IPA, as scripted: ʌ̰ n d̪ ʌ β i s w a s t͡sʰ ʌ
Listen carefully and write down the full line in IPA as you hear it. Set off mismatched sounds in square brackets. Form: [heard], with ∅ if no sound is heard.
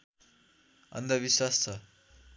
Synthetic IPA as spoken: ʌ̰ n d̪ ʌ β i s w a s t͡sʰ ʌ